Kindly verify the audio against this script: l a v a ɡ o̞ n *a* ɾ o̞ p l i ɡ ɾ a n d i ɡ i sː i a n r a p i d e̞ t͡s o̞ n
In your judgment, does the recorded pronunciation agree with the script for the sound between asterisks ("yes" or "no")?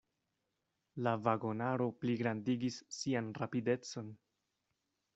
yes